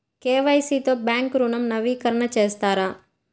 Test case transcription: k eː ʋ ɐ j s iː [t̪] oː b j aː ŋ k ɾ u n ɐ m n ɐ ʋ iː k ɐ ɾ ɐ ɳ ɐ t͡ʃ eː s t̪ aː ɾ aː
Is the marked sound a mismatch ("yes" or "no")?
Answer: no